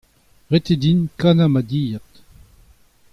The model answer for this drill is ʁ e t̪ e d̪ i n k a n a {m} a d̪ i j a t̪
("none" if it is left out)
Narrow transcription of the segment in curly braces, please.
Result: m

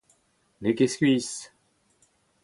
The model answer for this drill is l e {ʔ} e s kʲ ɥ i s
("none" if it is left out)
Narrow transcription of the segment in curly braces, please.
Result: k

